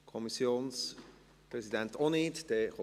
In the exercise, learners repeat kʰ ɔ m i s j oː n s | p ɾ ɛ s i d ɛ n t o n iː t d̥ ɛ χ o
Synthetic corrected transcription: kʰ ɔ m i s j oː n s | p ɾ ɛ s i d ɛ n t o n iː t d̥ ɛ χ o